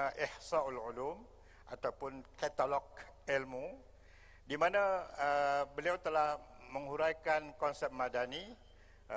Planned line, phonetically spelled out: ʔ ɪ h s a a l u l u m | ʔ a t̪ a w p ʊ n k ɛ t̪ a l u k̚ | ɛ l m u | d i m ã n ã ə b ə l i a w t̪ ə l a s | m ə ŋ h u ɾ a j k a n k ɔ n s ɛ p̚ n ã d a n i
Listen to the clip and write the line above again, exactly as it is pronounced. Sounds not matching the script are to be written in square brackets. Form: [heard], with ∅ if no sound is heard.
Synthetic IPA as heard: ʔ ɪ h s a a l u l u m | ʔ a t̪ a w p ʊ n k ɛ t̪ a l [ɔ] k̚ | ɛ l m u | d i m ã n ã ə b ə l i a w t̪ ə l a [h] | m ə ŋ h u ɾ a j k a n k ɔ n s ɛ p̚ [m] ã d a n i